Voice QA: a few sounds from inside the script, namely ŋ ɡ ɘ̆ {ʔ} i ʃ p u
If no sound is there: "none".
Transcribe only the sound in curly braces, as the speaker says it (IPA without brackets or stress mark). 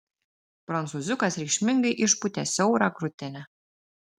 ʔ